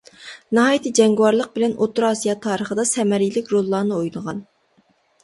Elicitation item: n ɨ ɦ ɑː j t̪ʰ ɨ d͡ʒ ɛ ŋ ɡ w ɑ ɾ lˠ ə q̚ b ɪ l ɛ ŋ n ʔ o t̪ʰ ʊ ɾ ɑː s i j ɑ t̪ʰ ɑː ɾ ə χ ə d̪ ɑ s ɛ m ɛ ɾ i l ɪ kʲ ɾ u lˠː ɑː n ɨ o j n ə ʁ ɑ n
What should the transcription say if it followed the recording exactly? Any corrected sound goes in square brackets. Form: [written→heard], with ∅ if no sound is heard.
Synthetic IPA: n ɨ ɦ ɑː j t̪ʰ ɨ d͡ʒ ɛ ŋ ɡ w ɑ ɾ lˠ ə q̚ b ɪ l ɛ [ŋ→∅] n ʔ o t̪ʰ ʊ ɾ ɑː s i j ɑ t̪ʰ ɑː ɾ ə χ ə d̪ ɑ s ɛ m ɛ ɾ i l ɪ kʲ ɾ [u→o] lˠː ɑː n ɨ o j n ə ʁ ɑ n